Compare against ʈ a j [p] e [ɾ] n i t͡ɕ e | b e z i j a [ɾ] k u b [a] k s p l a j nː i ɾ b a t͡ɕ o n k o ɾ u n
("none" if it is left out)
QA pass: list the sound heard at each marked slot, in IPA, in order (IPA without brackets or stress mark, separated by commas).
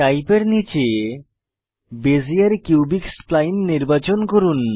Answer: p, ɾ, ɾ, i